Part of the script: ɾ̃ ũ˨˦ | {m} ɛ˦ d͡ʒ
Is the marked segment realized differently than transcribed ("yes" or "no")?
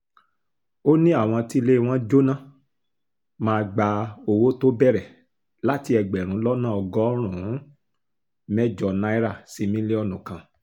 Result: no